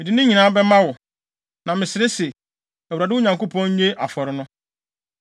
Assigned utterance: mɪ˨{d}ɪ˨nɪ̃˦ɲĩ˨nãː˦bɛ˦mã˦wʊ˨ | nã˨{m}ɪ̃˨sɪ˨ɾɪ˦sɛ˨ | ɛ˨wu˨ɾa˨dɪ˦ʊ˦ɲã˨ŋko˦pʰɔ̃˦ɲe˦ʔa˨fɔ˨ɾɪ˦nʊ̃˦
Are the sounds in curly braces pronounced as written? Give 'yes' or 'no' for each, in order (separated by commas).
yes, yes